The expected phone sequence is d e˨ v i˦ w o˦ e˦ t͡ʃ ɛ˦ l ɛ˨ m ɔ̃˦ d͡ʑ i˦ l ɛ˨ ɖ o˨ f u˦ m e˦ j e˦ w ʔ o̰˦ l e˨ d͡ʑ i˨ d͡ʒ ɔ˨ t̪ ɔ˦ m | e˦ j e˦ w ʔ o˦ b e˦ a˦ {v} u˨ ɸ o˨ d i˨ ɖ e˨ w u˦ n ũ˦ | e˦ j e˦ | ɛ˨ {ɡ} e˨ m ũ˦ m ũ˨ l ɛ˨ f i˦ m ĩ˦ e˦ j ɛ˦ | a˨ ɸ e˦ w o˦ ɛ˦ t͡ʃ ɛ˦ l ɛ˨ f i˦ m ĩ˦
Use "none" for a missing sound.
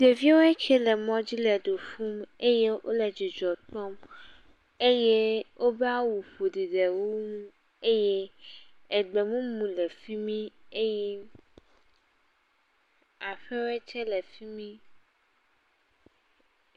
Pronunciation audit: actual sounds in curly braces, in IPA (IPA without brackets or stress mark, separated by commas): w, ɡ͡b